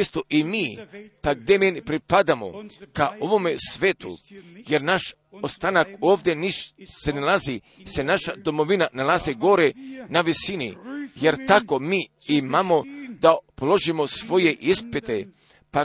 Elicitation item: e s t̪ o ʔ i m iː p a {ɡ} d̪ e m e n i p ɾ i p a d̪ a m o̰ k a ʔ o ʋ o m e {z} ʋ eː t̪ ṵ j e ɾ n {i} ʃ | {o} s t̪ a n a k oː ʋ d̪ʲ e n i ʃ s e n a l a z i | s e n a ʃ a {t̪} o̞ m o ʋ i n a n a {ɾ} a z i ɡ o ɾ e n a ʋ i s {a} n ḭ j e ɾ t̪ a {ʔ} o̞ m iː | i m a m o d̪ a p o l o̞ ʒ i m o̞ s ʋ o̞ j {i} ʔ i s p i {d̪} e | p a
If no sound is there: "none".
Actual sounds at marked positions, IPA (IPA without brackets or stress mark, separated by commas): ɡ, s, a, o, d̪, l, i, k, e, t̪